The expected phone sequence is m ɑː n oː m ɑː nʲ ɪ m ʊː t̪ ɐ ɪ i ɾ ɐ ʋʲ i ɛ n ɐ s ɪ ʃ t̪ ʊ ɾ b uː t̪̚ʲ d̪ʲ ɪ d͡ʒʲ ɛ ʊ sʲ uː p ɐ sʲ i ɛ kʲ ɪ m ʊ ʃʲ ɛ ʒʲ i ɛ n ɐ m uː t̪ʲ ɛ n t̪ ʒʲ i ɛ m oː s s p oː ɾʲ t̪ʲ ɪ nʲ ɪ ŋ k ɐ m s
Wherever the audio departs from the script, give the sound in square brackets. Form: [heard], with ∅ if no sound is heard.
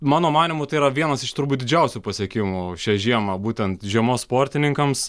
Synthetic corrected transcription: m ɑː n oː m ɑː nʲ ɪ m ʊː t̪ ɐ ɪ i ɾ ɐ ʋʲ i ɛ n ɐ s ɪ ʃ t̪ ʊ ɾ b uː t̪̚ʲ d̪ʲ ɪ d͡ʒʲ ɛ ʊ sʲ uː p ɐ sʲ i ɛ kʲ ɪ m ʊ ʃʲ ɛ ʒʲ i ɛ [m] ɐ [b] uː t̪ʲ ɛ n t̪ ʒʲ i ɛ m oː s s p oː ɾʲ t̪ʲ ɪ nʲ ɪ ŋ k ɐ m s